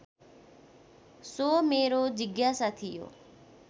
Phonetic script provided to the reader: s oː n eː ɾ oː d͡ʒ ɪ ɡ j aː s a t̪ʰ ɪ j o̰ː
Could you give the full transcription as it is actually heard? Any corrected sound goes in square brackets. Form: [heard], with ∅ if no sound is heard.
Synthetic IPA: s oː [m] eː ɾ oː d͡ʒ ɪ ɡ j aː s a t̪ʰ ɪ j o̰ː